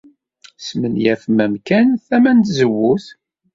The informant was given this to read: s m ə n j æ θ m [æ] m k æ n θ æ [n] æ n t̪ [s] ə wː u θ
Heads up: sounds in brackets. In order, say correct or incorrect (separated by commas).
correct, incorrect, incorrect